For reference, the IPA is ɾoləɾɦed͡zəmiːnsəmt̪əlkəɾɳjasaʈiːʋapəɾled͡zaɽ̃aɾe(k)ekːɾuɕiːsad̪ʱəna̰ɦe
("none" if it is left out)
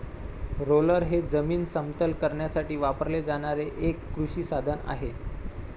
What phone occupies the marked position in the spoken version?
ʔ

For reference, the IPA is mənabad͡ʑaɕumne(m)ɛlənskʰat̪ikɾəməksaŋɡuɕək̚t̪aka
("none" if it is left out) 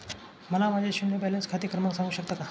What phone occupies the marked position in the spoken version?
b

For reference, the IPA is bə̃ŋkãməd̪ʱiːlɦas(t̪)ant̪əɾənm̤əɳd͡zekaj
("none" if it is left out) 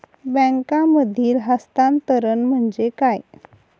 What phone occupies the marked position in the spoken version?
t̪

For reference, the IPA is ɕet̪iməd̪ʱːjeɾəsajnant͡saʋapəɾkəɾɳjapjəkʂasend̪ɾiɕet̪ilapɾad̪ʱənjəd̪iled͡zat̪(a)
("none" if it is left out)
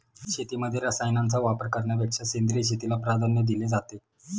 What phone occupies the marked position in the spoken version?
e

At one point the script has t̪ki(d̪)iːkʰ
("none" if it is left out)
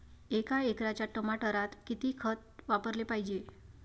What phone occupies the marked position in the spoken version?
t̪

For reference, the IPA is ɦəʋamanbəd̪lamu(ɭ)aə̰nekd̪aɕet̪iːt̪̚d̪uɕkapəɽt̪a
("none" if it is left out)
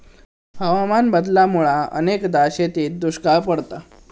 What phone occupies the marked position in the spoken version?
ɭ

